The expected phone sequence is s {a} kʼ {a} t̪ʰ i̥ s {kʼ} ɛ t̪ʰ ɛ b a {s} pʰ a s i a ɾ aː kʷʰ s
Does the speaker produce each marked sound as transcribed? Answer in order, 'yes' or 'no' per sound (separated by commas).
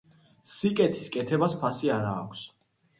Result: no, no, yes, yes